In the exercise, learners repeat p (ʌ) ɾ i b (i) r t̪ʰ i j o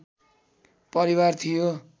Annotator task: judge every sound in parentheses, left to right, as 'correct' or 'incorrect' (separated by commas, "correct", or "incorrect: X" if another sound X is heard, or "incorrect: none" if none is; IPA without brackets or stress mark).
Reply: correct, incorrect: a